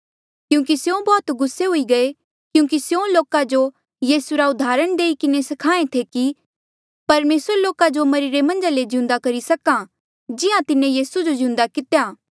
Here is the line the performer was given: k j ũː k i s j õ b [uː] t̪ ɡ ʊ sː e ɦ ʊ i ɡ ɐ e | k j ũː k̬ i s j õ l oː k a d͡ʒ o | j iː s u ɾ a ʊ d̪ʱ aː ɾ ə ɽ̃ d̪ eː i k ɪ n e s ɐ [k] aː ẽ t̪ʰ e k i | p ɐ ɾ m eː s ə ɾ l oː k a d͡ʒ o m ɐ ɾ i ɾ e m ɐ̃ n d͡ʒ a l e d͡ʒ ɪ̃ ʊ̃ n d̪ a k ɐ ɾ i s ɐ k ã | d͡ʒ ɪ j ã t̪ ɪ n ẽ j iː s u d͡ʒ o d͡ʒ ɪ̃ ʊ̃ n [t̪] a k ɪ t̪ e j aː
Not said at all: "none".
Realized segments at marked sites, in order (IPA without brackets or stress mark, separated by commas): ɔː, kʰ, d̪